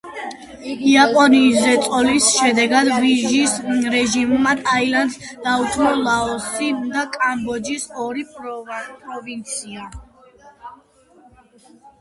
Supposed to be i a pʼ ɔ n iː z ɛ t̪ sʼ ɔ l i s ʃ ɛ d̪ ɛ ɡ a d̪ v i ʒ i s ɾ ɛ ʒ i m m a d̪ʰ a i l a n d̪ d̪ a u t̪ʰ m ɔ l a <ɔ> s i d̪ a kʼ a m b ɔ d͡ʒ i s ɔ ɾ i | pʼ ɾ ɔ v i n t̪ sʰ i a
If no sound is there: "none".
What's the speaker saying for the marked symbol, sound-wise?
ɔ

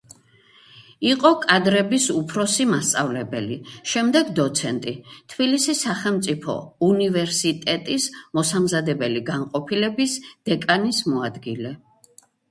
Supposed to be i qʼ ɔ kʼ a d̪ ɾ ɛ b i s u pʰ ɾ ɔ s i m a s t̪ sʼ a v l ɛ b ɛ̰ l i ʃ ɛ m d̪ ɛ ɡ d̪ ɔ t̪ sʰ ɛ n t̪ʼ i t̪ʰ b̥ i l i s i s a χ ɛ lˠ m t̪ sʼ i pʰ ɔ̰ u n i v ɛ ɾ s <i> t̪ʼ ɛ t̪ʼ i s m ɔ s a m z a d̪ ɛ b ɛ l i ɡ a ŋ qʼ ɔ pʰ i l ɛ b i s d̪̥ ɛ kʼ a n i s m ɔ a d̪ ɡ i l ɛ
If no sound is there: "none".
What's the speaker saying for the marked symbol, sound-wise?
i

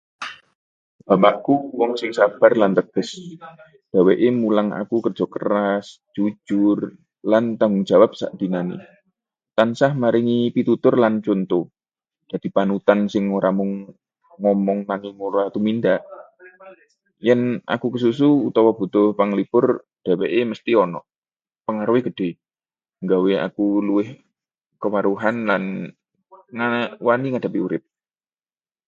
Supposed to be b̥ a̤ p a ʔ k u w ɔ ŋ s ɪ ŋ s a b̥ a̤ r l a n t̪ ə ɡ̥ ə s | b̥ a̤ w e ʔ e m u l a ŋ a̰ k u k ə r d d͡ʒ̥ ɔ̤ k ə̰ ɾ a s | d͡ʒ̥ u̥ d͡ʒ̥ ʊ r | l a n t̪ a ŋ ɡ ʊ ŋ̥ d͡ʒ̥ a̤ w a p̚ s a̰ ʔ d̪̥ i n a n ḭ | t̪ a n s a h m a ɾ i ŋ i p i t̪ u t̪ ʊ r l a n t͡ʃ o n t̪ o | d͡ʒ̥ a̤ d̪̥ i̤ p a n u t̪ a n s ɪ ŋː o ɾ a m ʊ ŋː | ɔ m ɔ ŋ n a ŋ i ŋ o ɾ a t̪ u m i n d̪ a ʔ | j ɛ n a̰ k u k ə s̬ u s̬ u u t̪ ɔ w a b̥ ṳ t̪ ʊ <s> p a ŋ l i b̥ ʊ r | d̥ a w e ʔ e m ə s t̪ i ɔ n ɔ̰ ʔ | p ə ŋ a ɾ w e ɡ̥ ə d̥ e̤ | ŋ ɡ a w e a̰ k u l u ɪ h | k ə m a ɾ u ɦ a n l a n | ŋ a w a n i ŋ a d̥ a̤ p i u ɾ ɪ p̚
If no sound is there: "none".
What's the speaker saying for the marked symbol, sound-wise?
h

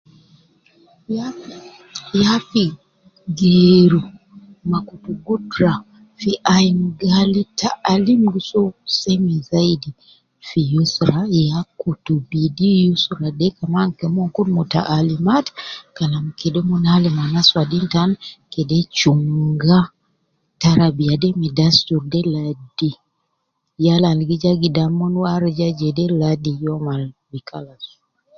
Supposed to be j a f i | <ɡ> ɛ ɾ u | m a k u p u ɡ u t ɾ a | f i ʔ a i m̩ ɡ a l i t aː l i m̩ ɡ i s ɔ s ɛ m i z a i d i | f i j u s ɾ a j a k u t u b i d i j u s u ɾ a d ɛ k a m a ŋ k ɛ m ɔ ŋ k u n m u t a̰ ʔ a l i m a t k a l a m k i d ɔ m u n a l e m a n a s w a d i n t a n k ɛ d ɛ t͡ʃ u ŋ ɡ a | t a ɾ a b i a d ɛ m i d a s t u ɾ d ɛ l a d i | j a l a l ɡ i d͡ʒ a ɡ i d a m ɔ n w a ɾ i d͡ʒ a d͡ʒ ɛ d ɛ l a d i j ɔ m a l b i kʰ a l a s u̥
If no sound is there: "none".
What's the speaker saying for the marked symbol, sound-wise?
ɡ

